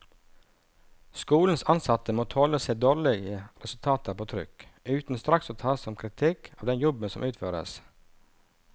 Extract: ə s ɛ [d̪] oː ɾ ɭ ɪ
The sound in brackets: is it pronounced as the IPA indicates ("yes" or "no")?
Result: yes